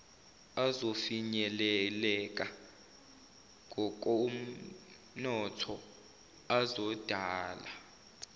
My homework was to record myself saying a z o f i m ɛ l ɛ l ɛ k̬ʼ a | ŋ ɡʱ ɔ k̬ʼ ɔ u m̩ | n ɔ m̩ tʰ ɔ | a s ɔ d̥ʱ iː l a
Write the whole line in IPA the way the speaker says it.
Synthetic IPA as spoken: a z o f i ɲ ɛ l ɛ l ɛ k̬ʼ a | ŋ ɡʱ ɔ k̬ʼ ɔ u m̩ | n ɔ tʰ ɔ | a z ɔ d̥ʱ aː l a